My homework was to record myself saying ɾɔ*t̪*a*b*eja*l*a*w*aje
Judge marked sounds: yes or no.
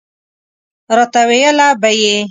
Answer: yes, no, yes, no

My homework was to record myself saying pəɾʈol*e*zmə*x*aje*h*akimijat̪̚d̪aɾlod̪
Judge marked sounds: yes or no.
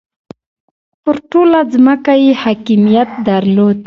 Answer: no, no, yes

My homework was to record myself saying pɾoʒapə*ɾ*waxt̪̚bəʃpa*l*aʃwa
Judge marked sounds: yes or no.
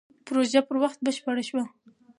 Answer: yes, no

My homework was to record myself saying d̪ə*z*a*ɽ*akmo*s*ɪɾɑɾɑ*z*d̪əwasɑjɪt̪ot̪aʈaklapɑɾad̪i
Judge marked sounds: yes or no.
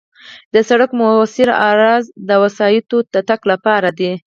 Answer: no, yes, yes, yes

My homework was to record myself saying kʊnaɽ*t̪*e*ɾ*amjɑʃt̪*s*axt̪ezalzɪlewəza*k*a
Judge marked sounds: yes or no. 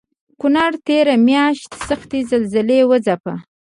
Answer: yes, yes, yes, no

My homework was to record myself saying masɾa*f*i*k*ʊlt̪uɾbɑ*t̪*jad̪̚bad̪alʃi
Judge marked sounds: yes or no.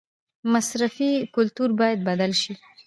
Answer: yes, yes, no

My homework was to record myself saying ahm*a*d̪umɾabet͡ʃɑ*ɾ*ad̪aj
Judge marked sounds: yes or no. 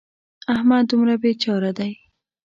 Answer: yes, yes

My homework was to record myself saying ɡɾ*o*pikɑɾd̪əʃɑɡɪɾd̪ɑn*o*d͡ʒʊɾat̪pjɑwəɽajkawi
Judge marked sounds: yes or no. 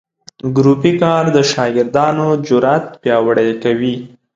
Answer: no, yes

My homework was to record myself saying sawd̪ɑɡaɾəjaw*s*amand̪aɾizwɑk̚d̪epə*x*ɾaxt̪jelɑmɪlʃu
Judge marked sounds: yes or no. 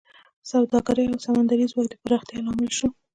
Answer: yes, no

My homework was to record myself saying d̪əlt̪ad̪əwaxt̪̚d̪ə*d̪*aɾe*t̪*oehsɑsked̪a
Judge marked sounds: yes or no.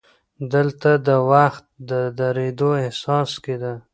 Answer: yes, no

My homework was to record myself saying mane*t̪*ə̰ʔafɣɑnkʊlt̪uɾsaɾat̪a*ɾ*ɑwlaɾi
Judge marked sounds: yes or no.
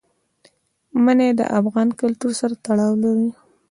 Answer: no, no

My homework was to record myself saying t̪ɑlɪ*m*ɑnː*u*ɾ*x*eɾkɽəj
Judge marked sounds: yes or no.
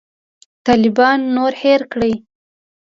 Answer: no, no, no

